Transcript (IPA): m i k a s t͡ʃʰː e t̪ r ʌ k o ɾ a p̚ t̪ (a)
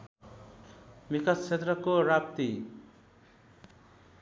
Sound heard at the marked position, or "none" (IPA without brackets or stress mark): i